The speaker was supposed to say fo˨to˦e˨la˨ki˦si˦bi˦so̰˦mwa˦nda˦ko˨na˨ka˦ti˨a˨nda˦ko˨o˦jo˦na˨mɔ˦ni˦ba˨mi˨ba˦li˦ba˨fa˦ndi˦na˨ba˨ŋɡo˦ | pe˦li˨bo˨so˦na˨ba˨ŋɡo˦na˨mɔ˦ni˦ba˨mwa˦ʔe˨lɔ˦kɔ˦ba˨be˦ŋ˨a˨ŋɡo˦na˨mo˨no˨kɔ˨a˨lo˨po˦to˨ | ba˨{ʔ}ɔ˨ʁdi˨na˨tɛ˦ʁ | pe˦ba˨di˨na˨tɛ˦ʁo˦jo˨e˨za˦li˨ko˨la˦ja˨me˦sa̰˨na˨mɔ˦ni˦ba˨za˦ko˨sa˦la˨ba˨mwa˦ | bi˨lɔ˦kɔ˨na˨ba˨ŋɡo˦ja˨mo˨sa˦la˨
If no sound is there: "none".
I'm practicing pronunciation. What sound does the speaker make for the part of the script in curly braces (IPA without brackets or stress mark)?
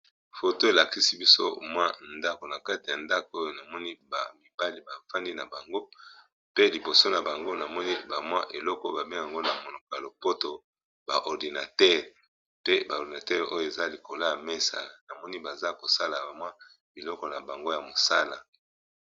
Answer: ʔ